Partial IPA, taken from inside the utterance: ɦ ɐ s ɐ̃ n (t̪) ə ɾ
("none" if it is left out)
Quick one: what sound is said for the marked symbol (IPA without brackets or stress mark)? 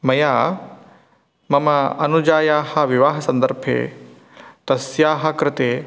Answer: d̪